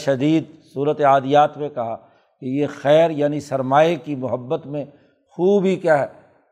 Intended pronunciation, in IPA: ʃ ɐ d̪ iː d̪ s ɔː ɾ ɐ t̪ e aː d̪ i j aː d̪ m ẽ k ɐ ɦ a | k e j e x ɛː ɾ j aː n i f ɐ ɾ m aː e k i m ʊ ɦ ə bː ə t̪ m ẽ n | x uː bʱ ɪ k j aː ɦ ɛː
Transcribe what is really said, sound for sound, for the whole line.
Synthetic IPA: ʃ ɐ d̪ iː d̪ s uː ɾ ə t̪ e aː d̪ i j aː t̪ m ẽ k ɐ ɦ a | k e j e x ɛː ɾ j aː n i s ɐ ɾ m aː e k i m ʊ ɦ ə bː ə t̪ m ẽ | x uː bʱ i k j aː ɦ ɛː